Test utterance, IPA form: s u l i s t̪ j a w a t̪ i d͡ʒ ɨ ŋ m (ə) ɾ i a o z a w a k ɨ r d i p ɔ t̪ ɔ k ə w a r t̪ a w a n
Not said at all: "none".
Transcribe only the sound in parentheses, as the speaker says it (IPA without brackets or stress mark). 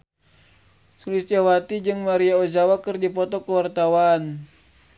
a